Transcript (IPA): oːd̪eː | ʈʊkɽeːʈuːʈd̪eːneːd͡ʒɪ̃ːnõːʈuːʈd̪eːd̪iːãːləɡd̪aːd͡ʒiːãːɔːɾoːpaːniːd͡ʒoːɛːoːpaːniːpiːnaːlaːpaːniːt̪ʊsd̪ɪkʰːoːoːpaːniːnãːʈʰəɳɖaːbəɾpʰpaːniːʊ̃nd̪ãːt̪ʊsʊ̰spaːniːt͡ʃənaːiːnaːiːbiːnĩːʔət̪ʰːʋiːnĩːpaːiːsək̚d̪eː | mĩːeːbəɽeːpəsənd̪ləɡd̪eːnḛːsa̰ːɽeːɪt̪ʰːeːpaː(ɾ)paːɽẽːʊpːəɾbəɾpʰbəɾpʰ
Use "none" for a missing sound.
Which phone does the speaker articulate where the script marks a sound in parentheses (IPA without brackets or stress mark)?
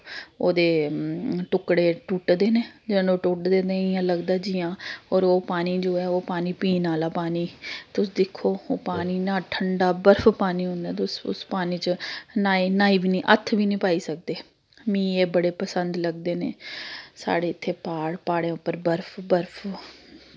ɽ